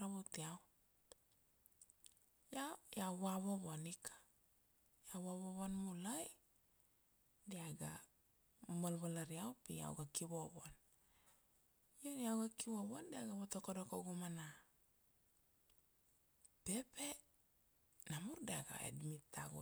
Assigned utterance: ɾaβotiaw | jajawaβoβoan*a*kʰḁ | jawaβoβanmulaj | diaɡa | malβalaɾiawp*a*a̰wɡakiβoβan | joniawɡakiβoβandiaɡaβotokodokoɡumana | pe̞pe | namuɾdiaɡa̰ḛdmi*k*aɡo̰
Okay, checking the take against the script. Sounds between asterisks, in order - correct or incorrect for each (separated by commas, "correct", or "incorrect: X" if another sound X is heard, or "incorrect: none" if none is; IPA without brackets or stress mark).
incorrect: i, incorrect: i, incorrect: t